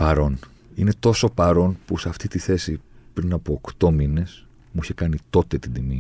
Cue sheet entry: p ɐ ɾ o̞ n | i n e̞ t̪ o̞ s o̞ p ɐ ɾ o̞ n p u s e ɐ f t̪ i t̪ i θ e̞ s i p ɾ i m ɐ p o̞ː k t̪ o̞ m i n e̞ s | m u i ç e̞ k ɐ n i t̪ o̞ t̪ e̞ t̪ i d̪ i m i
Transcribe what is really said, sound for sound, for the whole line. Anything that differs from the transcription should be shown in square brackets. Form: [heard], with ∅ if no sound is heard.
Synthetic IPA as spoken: p ɐ ɾ o̞ n | i n e̞ t̪ o̞ s o̞ p ɐ ɾ o̞ n p u s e ɐ f t̪ i t̪ i θ e̞ s i p ɾ i [n] ɐ p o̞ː k t̪ o̞ m i n e̞ s | m u i ç e̞ k ɐ n i t̪ o̞ t̪ e̞ t̪ i d̪ i m i